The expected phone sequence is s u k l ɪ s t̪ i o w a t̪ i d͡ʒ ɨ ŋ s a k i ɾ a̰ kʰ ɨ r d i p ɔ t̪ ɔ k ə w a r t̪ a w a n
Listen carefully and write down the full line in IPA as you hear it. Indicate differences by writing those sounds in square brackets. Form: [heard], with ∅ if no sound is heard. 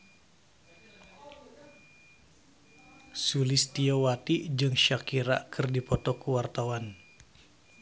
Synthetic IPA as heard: s u [∅] l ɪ s t̪ i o w a t̪ i d͡ʒ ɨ ŋ [ʃ] a k i ɾ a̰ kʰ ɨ r d i p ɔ t̪ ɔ k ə w a r t̪ a w a n